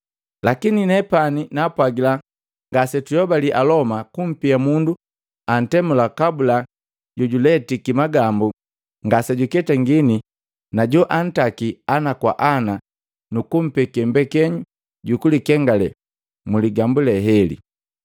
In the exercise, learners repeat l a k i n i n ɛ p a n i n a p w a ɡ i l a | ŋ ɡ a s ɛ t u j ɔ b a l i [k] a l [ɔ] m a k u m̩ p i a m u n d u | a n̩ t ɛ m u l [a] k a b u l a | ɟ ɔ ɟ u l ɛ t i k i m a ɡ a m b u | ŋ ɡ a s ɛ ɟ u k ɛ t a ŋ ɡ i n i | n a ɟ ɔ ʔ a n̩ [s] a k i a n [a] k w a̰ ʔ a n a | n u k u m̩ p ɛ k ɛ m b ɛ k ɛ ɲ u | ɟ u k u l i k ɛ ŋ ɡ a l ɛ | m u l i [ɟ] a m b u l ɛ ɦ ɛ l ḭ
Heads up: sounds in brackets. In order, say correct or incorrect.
incorrect: ʔ, correct, correct, incorrect: t, correct, incorrect: ɡ

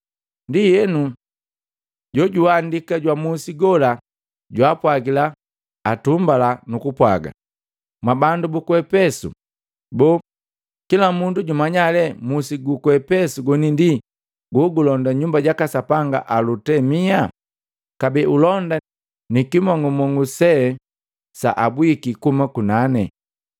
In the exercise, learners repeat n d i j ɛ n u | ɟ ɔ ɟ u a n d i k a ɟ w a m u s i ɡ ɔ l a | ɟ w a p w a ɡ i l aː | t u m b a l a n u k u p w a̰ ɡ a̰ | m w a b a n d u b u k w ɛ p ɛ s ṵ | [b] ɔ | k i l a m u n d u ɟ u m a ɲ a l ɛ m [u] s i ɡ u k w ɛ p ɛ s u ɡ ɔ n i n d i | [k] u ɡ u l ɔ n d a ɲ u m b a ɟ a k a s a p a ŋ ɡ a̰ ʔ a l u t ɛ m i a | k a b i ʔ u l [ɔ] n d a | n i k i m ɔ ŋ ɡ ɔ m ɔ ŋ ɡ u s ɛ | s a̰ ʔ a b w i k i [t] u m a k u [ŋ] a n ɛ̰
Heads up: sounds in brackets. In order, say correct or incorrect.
correct, correct, incorrect: ɡ, correct, incorrect: k, incorrect: n

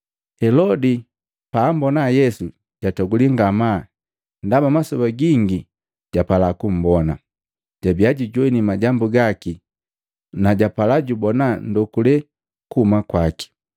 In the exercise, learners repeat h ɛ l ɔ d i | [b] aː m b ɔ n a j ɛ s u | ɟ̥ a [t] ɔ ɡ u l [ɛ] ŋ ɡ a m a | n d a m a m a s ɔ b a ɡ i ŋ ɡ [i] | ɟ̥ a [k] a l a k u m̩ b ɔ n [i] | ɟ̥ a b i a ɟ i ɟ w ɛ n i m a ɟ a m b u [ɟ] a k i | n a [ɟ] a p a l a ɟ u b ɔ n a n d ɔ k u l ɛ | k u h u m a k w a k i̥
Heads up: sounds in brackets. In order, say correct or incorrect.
incorrect: p, correct, incorrect: i, correct, incorrect: p, incorrect: a, incorrect: ɡ, correct

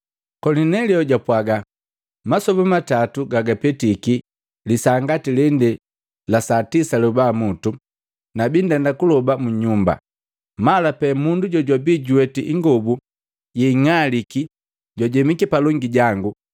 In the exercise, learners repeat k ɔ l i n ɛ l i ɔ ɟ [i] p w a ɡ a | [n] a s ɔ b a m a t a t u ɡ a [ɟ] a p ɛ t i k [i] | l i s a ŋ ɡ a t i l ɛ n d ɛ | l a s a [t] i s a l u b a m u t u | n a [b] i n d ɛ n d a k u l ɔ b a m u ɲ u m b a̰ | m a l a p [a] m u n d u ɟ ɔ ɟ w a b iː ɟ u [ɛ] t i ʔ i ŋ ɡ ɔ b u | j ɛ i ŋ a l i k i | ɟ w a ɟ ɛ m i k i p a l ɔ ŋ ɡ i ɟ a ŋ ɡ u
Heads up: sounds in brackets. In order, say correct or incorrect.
incorrect: a, incorrect: m, incorrect: ɡ, correct, correct, correct, incorrect: ɛ, correct

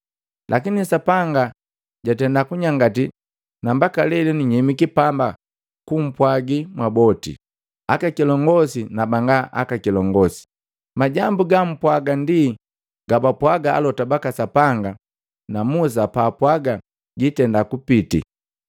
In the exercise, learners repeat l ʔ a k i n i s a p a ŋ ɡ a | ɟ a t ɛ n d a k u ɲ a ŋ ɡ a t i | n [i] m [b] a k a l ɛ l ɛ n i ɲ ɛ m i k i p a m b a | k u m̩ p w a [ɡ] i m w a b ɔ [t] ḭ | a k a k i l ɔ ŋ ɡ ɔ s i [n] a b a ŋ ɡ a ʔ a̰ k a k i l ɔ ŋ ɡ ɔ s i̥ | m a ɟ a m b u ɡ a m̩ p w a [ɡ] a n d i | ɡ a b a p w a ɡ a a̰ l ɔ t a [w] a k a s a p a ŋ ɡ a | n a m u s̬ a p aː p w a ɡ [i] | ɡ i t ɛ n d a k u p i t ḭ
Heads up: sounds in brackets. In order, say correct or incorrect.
incorrect: a, correct, correct, correct, correct, correct, incorrect: b, incorrect: a

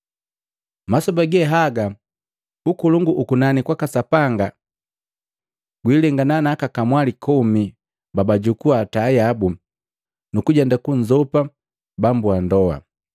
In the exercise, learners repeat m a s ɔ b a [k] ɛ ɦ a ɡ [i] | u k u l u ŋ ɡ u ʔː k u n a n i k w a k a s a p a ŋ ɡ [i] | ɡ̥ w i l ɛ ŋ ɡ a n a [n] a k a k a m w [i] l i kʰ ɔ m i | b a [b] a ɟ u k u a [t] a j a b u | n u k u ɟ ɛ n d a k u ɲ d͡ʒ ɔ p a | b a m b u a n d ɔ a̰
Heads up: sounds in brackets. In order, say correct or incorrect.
incorrect: ɡ, incorrect: a, incorrect: a, correct, incorrect: a, correct, correct

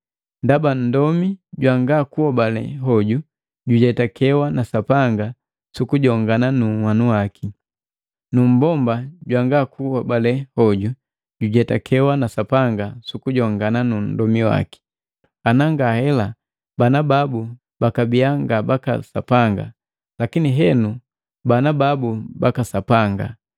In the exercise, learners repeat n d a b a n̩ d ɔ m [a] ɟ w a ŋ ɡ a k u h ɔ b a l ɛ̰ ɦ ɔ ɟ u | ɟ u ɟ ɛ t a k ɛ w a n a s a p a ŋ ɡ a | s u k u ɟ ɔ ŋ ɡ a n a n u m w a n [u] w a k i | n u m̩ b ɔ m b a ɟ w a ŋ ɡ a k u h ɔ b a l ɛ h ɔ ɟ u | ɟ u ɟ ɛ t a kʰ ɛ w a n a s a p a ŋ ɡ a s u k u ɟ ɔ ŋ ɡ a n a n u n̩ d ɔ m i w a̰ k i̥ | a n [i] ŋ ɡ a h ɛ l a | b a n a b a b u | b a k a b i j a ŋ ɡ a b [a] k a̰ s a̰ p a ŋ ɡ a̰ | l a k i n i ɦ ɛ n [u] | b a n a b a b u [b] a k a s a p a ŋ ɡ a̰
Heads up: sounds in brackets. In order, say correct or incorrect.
incorrect: i, correct, incorrect: a, correct, correct, correct

